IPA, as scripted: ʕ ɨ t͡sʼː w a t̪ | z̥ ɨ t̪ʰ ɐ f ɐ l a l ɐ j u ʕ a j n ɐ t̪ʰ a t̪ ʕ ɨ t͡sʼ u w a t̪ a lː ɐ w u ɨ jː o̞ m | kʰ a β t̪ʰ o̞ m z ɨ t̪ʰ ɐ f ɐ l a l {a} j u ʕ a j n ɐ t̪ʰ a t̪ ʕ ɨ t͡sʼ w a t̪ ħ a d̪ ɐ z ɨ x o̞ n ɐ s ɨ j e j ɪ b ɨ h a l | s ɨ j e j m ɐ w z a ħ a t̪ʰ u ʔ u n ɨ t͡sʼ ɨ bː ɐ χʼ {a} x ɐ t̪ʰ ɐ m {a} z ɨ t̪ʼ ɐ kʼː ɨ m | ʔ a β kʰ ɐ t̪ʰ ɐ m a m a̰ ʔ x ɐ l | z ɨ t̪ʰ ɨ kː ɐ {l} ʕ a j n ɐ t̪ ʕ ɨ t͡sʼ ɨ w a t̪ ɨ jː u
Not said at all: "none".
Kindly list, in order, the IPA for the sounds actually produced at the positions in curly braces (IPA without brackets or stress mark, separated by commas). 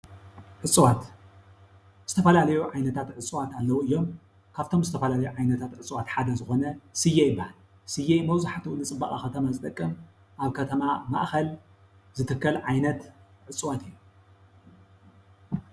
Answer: ɐ, a, a, l